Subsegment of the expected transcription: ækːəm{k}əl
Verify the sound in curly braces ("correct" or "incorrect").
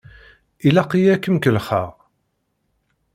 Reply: correct